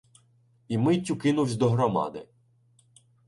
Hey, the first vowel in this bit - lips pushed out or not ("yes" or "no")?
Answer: no